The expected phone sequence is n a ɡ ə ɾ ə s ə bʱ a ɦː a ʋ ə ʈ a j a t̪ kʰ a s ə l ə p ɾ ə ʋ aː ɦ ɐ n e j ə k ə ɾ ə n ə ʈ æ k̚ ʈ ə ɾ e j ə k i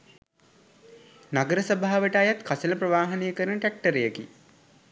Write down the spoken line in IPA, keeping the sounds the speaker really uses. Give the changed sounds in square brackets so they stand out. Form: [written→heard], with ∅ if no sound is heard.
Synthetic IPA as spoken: n a ɡ ə ɾ ə s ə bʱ a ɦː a ʋ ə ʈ a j a t̪ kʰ a s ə l ə p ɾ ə ʋ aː ɦ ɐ n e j ə k ə ɾ ə n ə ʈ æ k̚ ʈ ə ɾ e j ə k i